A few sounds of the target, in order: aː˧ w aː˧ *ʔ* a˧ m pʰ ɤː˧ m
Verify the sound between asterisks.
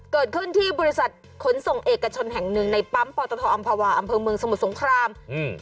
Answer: correct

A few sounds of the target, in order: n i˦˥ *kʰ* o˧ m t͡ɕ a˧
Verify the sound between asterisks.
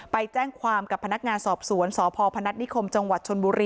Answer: correct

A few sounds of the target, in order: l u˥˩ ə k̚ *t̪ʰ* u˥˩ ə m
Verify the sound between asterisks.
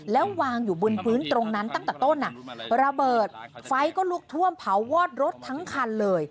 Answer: correct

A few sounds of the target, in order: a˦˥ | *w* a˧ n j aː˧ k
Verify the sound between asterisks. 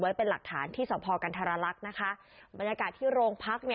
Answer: incorrect: b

